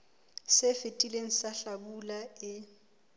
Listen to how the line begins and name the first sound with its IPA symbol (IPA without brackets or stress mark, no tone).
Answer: s